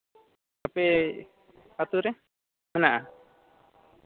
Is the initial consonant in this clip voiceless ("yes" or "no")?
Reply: yes